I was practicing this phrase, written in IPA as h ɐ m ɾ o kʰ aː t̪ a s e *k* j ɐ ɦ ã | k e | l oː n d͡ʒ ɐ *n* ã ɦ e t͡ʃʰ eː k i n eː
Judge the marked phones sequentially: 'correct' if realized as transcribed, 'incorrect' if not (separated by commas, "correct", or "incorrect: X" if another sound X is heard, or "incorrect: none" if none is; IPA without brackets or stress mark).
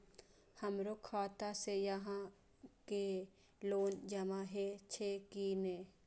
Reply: incorrect: none, incorrect: m